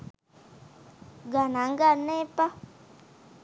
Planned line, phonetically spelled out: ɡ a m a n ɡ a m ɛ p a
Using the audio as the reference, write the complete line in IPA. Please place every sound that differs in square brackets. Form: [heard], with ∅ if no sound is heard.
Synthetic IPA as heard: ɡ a [n] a [ŋ] ɡ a [n] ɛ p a